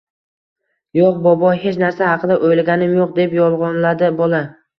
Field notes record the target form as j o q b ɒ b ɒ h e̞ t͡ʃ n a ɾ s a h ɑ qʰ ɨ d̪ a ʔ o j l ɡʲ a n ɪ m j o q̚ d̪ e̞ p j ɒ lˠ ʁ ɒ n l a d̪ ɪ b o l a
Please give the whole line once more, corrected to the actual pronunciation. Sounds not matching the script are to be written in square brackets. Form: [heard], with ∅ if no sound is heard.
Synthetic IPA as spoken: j o q b ɒ b ɒ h e̞ t͡ʃ n a ɾ s a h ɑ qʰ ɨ d̪ a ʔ o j l ɡʲ a n ɪ m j o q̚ d̪ e̞ p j ɒ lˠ ʁ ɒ n l a d̪ ɪ b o l a